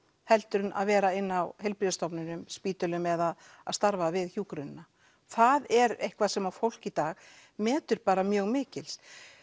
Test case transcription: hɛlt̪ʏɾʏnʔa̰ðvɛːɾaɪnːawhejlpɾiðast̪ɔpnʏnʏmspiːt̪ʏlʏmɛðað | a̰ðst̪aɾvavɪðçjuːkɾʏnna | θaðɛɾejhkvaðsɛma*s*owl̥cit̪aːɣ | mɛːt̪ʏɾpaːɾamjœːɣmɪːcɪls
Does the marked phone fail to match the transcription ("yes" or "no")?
yes